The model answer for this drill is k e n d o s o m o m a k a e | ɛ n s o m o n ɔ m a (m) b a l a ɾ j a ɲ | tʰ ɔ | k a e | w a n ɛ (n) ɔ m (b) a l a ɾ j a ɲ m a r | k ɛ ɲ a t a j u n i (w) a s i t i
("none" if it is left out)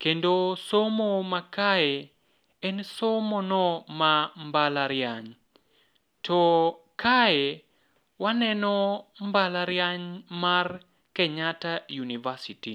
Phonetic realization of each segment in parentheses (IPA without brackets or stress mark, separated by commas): m, n, b, v